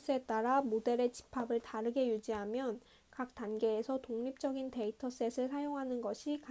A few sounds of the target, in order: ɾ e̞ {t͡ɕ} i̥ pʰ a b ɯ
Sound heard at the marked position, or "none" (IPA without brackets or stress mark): t͡ɕ